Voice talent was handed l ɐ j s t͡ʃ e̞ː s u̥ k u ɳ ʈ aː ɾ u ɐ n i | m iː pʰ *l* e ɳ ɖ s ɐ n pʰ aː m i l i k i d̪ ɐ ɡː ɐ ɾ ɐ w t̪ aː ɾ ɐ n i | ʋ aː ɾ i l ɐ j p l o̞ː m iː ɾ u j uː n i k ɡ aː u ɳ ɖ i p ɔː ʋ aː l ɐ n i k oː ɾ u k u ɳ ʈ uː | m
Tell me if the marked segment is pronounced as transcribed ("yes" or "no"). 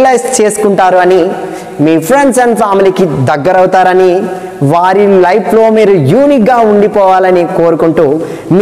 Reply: no